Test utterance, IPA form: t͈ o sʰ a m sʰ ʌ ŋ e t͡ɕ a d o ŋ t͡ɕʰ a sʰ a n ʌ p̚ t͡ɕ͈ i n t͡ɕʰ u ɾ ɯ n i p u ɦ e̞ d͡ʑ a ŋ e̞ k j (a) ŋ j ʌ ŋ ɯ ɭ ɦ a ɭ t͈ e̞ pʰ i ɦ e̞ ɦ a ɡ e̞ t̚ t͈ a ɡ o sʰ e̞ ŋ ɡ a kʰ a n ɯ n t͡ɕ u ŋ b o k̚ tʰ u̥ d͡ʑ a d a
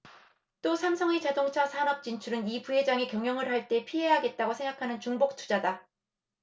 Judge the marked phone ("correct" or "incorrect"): incorrect